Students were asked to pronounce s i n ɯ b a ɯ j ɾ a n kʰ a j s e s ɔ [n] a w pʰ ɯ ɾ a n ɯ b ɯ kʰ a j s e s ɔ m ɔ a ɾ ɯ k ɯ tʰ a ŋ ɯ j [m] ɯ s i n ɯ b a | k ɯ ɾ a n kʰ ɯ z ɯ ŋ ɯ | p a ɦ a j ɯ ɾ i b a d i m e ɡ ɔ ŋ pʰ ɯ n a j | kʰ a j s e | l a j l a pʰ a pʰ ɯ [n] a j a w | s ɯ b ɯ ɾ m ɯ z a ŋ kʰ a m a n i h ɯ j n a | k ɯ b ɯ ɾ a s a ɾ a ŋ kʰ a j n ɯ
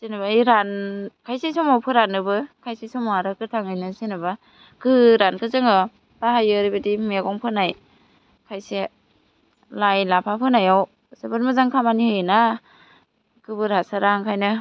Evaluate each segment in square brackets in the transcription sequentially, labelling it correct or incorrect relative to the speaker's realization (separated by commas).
incorrect, incorrect, correct